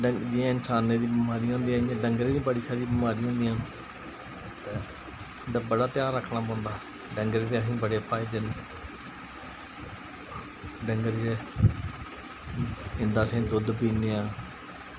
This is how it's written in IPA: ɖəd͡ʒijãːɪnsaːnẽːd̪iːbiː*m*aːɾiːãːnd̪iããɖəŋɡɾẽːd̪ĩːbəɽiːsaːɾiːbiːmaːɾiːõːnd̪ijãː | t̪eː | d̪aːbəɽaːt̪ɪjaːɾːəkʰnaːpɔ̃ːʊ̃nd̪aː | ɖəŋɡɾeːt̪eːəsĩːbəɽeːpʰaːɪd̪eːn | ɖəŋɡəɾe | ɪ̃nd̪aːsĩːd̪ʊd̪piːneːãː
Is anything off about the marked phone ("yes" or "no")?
no